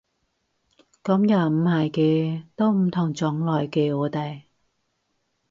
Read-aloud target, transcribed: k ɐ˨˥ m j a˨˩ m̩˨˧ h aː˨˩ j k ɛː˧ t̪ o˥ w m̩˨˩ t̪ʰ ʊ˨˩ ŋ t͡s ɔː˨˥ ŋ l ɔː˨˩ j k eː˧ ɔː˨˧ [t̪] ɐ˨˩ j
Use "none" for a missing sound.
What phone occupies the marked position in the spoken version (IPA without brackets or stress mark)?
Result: t̪